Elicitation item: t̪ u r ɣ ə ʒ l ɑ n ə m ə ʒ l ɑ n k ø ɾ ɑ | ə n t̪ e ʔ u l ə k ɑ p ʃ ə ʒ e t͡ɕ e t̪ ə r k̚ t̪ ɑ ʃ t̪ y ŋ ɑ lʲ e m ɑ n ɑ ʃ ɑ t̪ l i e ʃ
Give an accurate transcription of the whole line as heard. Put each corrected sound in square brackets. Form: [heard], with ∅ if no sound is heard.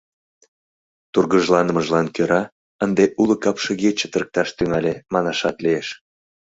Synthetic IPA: t̪ u r ɣ ə ʒ l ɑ n ə m ə ʒ l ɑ n k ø ɾ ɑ | ə n [d̪] e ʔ u l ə k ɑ p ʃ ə [ɣ] e t͡ɕ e t̪ ə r k̚ t̪ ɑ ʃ t̪ y ŋ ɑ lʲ e m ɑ n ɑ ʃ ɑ t̪ l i e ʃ